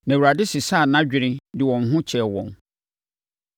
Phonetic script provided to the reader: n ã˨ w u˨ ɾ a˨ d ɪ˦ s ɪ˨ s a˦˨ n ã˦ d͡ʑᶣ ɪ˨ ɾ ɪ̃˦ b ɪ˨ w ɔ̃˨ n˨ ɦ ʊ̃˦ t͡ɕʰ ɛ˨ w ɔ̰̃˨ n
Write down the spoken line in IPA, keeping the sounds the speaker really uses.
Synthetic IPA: n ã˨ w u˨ ɾ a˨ d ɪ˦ s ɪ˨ s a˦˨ n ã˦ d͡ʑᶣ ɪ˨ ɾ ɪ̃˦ d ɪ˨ w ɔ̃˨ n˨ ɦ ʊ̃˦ t͡ɕʰ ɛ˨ w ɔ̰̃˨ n